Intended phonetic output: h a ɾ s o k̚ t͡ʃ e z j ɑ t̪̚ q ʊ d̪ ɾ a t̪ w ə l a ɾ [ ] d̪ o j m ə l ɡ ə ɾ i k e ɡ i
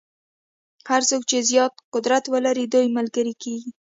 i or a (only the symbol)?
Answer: i